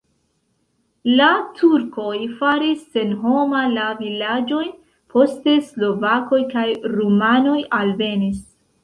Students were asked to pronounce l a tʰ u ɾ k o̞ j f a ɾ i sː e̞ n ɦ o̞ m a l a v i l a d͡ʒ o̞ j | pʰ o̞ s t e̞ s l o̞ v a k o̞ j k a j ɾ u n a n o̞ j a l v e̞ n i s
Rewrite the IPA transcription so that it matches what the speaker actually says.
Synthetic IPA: l a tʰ u ɾ k o̞ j f a ɾ i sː e̞ n ɦ o̞ m a l a v i l a d͡ʒ o̞ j | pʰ o̞ s t e̞ s l o̞ v a k o̞ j k a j ɾ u m a n o̞ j a l v e̞ n i s